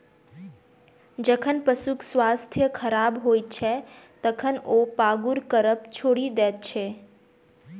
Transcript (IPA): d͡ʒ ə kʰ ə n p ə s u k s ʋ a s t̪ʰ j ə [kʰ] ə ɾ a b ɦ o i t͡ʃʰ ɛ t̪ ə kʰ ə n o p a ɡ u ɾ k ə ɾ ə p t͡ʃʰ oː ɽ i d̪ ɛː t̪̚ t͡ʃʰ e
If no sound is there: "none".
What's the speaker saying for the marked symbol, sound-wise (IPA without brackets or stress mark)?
kʰ